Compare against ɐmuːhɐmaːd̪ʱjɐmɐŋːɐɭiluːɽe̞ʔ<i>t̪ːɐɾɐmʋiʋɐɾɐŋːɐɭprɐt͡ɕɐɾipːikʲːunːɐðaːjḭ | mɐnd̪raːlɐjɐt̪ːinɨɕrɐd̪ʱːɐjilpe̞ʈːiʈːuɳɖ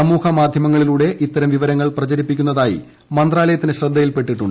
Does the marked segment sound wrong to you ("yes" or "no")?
no